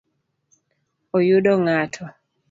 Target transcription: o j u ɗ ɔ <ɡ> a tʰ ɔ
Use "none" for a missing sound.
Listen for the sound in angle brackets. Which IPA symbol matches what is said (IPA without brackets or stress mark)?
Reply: ŋ